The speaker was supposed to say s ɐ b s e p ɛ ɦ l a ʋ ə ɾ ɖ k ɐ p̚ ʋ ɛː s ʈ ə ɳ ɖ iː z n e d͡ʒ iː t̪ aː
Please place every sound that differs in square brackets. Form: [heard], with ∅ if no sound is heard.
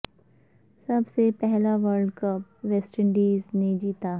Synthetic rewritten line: s ɐ b s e p ɛ ɦ l a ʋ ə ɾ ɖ k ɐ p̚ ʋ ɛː s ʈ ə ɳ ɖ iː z n e d͡ʒ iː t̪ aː